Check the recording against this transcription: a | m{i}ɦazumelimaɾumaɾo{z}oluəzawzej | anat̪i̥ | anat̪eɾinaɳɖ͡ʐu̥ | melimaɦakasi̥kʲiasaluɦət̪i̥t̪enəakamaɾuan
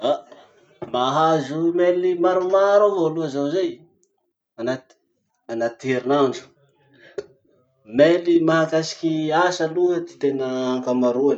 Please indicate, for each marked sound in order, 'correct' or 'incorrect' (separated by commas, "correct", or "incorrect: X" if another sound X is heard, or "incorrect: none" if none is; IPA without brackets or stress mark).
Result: incorrect: a, incorrect: v